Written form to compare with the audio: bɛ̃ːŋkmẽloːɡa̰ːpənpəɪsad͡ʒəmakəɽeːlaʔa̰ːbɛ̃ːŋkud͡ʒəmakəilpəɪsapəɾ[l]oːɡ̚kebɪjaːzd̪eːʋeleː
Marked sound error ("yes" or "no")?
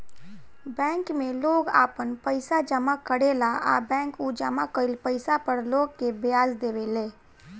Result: no